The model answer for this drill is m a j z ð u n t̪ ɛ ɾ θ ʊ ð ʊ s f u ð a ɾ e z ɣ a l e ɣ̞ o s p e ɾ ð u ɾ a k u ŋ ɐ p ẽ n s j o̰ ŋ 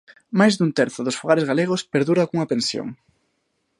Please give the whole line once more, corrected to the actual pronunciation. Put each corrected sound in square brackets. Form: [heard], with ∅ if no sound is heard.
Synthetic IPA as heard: m a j z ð u n t̪ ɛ ɾ θ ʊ ð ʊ s f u [ɣ] a ɾ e z ɣ a l e ɣ̞ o s p e ɾ ð u ɾ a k u ŋ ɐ p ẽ n s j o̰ ŋ